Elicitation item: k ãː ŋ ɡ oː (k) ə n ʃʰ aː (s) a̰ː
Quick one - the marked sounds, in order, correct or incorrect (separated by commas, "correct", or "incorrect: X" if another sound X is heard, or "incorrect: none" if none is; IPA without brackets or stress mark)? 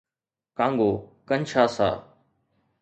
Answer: correct, correct